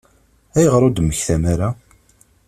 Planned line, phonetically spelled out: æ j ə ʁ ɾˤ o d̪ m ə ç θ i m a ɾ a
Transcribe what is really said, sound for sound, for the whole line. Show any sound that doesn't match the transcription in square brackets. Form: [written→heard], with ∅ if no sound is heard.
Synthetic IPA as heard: æ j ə ʁ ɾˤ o d̪ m ə ç θ [i→æ] m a ɾ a